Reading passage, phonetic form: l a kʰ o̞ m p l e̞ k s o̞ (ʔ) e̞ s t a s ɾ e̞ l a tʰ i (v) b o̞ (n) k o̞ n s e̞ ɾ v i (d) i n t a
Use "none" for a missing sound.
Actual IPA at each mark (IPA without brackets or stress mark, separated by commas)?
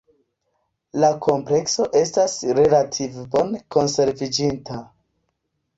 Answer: ʔ, v, n, d͡ʒ